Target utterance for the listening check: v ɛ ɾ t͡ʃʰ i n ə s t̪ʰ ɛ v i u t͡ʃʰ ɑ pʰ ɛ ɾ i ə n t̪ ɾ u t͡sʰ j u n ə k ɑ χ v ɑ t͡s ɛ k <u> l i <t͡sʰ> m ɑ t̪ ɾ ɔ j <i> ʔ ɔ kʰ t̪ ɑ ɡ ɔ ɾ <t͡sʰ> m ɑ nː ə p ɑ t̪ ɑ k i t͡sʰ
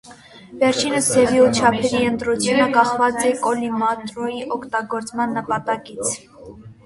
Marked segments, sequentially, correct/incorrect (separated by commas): incorrect, incorrect, correct, incorrect